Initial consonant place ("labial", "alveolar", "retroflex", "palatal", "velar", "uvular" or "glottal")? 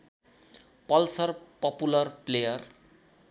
labial